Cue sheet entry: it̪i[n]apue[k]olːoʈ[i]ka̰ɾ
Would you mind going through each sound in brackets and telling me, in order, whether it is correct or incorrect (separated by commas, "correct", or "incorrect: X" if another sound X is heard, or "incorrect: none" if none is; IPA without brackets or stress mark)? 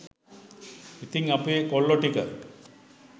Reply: incorrect: ŋ, correct, correct